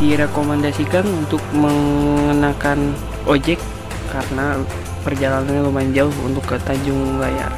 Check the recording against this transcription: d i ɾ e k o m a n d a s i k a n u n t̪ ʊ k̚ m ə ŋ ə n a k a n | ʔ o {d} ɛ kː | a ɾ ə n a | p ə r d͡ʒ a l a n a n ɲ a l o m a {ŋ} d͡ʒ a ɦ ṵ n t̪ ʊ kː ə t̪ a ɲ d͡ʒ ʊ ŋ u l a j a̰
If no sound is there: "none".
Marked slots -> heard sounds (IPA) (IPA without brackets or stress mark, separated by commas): d͡ʒ, ɲ